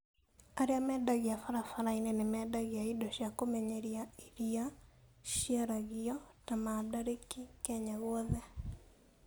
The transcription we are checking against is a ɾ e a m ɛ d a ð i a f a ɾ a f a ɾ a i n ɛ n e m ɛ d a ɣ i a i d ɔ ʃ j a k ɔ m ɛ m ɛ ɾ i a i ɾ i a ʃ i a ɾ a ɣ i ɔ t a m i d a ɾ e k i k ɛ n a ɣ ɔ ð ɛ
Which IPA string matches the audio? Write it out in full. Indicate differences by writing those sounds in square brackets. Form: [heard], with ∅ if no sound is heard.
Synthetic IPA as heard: a ɾ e a m ɛ d a [ɣ] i a f a ɾ a f a ɾ a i n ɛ n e m ɛ d a ɣ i a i d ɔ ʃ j a k [o] m ɛ [ɲ] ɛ ɾ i a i ɾ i a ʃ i a ɾ a ɣ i ɔ t a m [a] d a ɾ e k i k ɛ [ɲ] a ɣ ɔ ð ɛ